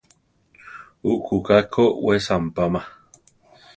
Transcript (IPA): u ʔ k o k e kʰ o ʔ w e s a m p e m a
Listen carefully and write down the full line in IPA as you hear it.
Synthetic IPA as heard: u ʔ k u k a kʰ o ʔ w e s a m p a m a